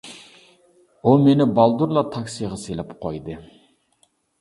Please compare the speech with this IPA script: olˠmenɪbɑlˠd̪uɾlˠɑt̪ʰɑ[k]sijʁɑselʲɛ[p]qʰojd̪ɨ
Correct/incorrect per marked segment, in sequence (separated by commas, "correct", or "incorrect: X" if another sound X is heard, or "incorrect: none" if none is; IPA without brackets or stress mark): correct, correct